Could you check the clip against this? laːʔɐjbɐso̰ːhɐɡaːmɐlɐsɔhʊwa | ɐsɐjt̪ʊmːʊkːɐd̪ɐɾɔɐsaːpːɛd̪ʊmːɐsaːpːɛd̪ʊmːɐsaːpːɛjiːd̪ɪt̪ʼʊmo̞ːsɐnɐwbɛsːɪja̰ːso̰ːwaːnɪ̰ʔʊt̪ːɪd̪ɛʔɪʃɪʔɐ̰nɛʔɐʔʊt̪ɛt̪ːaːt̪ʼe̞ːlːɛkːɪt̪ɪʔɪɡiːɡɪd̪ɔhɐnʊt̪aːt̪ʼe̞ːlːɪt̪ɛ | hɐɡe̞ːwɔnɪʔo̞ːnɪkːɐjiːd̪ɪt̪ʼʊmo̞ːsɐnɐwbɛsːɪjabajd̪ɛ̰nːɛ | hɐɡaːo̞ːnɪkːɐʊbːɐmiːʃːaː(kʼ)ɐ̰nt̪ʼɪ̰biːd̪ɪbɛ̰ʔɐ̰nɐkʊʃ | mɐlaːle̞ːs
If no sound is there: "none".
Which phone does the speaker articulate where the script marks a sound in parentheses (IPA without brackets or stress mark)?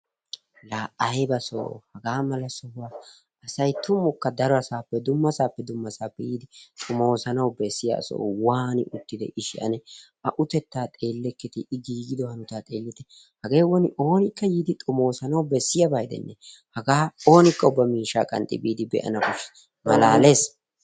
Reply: kʼ